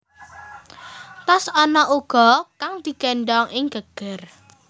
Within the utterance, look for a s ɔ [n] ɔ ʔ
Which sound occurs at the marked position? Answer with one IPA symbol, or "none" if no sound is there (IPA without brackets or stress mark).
n